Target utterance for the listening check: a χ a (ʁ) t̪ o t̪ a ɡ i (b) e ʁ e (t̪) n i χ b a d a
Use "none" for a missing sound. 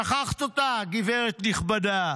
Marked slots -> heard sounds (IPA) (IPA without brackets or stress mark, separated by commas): χ, v, t̪